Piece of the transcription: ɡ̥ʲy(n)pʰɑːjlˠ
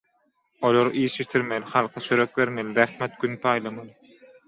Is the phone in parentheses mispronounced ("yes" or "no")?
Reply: no